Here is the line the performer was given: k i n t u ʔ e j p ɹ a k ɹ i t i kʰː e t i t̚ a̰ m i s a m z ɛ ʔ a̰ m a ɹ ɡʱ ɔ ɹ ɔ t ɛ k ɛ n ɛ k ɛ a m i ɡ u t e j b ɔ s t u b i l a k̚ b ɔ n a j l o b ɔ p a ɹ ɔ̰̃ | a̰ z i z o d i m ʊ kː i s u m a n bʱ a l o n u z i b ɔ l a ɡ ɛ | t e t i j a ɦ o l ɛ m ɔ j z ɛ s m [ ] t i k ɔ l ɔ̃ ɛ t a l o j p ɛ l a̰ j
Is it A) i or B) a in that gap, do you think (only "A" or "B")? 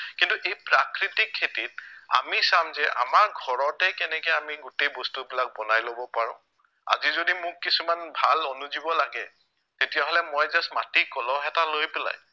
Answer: B